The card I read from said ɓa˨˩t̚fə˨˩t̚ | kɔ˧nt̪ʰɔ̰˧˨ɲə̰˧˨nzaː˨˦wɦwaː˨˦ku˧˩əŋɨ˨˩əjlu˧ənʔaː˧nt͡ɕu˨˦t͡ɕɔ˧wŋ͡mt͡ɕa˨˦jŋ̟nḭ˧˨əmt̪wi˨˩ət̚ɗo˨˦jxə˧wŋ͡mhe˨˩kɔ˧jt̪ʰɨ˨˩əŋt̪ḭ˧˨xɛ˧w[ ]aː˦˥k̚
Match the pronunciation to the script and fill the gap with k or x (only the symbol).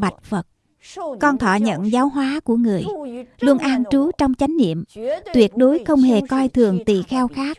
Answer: x